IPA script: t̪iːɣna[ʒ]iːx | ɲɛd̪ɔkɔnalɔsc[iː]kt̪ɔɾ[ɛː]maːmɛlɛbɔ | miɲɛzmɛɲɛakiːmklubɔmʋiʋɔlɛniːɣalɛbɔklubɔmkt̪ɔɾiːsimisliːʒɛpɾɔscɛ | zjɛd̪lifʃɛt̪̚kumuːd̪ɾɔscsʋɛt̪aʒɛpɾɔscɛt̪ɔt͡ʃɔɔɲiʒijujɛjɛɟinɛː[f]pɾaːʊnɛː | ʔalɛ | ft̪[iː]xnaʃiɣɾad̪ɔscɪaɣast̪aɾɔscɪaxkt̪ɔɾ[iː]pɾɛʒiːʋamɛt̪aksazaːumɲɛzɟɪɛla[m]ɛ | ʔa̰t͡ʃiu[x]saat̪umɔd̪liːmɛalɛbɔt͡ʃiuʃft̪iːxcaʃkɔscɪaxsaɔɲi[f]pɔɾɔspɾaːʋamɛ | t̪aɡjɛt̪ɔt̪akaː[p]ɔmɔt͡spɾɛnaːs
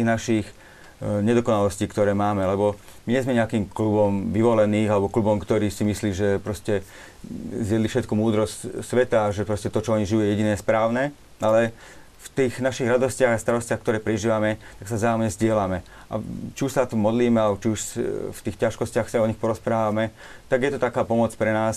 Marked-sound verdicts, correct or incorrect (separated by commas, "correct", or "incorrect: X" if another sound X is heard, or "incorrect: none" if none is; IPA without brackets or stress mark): incorrect: ʃ, correct, correct, incorrect: s, correct, incorrect: ɛː, correct, incorrect: ʃ, incorrect: x, correct